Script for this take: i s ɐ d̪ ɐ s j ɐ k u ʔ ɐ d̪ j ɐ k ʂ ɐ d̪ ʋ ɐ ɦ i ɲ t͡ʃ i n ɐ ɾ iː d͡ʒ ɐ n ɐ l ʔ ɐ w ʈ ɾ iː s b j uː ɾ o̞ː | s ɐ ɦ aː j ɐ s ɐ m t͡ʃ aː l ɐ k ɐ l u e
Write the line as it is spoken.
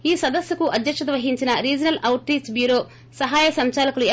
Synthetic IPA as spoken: iː s ɐ d̪ ɐ s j ɐ k u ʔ ɐ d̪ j ɐ k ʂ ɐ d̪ ʋ ɐ ɦ i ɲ t͡ʃ i n ɐ ɾ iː d͡ʒ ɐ n ɐ l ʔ ɐ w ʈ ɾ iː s b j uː ɾ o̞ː | s ɐ ɦ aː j ɐ s ɐ m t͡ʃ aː l ɐ k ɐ l u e